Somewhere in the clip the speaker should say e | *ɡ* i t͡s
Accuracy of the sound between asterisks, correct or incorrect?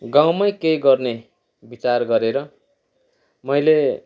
incorrect